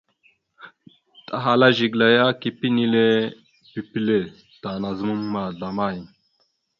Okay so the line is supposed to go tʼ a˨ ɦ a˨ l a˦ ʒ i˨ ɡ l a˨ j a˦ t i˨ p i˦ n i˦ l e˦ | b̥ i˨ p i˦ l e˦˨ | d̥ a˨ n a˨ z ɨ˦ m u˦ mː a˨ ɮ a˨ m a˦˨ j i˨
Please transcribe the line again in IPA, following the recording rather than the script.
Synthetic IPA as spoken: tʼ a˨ ɦ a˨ l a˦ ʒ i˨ ɡ l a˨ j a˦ k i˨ p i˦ n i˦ l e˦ | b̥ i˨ p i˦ l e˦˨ | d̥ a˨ n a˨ z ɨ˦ m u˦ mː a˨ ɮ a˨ m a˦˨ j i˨